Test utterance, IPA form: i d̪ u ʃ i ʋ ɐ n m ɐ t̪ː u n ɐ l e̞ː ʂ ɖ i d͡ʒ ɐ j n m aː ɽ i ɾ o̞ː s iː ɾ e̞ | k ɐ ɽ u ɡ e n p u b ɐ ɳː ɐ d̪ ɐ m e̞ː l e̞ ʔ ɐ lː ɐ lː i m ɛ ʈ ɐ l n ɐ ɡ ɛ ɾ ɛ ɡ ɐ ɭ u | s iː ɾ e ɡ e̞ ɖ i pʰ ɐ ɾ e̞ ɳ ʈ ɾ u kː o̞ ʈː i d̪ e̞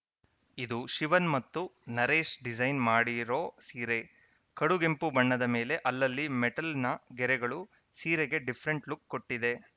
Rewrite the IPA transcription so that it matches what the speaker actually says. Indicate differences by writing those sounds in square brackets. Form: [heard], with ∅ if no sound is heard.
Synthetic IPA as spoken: i d̪ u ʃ i ʋ ɐ n m ɐ t̪ː u n ɐ [ɾ] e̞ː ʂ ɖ i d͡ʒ ɐ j n m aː ɽ i ɾ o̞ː s iː ɾ e̞ | k ɐ ɽ u ɡ e [m] p u b ɐ ɳː ɐ d̪ ɐ m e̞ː l e̞ ʔ ɐ lː ɐ lː i m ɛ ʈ ɐ l n ɐ ɡ ɛ ɾ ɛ ɡ ɐ ɭ u | s iː ɾ e ɡ e̞ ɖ i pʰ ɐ ɾ e̞ ɳ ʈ [l] u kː o̞ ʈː i d̪ e̞